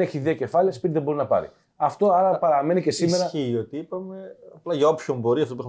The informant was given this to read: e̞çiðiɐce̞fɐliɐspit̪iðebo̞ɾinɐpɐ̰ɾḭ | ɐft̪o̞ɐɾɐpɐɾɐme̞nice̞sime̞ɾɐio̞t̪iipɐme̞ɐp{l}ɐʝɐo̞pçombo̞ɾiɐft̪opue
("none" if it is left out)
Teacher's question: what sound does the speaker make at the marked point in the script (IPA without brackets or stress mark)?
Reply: l